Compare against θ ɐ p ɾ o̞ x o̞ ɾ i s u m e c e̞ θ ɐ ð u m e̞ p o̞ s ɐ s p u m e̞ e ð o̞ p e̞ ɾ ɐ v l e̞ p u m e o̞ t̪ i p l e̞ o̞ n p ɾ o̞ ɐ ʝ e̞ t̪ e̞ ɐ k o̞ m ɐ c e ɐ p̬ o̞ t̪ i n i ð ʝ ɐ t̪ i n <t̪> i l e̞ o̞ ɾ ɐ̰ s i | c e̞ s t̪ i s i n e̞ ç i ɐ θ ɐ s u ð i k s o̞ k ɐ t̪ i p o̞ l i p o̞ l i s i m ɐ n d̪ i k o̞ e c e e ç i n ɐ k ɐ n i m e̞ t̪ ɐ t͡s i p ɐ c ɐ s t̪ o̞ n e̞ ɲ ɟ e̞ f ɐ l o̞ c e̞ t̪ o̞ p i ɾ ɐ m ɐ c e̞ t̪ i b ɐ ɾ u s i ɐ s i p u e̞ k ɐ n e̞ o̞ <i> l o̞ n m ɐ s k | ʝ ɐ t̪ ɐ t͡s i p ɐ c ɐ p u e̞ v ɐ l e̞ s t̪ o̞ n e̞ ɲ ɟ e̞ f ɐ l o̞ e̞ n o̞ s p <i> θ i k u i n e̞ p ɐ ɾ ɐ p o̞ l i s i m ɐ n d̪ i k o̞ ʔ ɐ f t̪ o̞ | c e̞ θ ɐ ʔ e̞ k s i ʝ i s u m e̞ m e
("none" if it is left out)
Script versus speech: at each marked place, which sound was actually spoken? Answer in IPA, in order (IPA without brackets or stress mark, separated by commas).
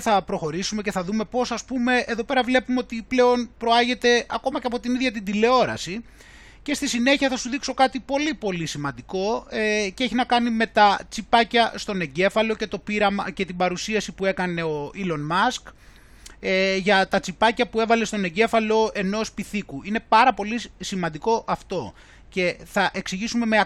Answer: d̪, i, i